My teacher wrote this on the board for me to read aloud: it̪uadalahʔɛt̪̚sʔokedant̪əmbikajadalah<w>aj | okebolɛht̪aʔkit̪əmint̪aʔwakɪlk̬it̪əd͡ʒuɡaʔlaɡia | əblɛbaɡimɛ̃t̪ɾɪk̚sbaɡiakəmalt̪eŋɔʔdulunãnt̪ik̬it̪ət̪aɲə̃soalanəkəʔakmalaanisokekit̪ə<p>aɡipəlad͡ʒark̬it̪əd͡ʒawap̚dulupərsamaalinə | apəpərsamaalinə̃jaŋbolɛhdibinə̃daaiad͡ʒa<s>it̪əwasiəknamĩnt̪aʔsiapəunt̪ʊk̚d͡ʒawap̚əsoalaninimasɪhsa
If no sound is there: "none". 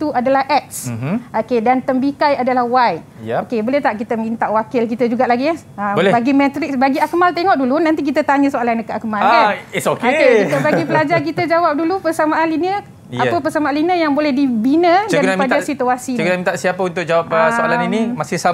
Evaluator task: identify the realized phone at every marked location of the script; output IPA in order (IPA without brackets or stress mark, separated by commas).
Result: w, b, s